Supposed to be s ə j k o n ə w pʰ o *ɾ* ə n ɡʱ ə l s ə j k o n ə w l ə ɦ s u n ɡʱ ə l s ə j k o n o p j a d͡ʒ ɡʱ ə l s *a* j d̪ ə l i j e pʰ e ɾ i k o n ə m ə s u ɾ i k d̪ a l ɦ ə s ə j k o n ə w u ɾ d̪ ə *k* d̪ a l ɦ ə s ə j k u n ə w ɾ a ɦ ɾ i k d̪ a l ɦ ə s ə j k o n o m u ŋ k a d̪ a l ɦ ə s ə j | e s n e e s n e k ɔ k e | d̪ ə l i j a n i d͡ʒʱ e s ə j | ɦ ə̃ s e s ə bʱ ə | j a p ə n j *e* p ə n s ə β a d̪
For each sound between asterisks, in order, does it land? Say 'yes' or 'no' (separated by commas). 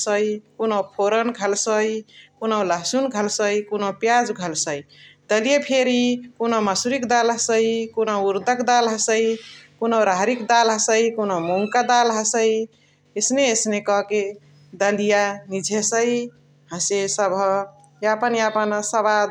yes, no, yes, no